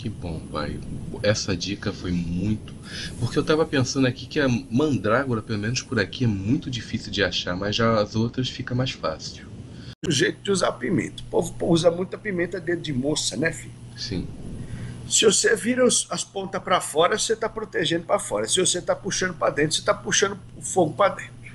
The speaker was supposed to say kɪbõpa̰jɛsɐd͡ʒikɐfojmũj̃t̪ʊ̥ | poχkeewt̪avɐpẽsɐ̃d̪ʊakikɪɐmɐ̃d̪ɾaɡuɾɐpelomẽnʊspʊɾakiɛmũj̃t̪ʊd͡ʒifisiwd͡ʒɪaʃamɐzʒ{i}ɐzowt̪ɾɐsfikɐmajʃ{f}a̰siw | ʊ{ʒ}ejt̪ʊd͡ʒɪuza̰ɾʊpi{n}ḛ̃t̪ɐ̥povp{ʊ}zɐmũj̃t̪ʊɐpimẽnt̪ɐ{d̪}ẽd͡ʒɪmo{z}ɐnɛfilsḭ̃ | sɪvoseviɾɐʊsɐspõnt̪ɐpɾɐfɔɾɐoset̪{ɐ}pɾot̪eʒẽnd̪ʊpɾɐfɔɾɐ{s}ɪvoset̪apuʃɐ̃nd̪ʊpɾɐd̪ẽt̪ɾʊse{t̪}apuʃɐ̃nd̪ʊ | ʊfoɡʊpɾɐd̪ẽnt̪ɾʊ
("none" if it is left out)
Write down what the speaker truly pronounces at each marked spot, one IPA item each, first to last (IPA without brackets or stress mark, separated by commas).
a, f, ʒ, m, u, d̪, s, a, s, t̪